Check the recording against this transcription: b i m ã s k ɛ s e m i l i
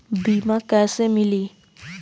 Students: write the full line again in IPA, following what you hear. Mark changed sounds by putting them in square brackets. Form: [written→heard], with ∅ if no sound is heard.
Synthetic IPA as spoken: b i m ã [s→∅] k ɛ s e m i l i